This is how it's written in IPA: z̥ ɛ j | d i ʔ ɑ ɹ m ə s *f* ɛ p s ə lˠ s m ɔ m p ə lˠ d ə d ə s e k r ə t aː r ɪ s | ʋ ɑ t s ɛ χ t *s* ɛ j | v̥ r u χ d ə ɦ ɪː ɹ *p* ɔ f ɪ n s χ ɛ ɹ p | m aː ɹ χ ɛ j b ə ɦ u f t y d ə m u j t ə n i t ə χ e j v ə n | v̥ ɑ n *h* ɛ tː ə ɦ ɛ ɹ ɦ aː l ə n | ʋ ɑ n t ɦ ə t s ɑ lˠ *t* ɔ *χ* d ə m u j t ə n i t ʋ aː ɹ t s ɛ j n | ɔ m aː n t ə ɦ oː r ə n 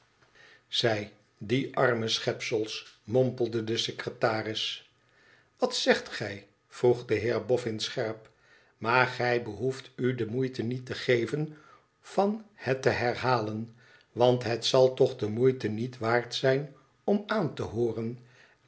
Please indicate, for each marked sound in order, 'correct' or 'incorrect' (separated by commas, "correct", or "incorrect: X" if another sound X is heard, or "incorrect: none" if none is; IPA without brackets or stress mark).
incorrect: χ, incorrect: χ, incorrect: b, correct, correct, correct